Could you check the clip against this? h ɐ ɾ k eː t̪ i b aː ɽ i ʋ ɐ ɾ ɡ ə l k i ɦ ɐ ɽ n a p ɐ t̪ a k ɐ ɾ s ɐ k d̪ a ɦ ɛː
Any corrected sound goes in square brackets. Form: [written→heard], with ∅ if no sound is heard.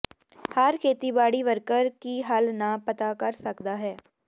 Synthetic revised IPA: h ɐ ɾ [k→kʰ] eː t̪ i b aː ɽ i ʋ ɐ ɾ [ɡ→k] ə [l→ɾ] k i ɦ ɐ [ɽ→l] n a p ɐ t̪ a k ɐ ɾ s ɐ k d̪ a ɦ ɛː